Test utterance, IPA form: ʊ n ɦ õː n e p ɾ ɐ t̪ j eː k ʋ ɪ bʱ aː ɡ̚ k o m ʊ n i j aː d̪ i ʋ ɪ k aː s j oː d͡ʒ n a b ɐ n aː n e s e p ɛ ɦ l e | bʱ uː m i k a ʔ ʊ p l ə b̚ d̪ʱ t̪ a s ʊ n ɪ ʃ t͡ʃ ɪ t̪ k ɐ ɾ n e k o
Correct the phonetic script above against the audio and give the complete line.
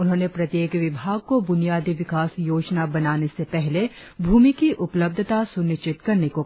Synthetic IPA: ʊ n ɦ õː n e p ɾ ɐ t̪ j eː k ʋ ɪ bʱ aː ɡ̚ k o b ʊ n i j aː d̪ i ʋ ɪ k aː s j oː d͡ʒ n a b ɐ n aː n e s e p ɛ ɦ l e | bʱ uː m i k i ʔ ʊ p l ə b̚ d̪ʱ t̪ a s ʊ n ɪ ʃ t͡ʃ ɪ t̪ k ɐ ɾ n e k o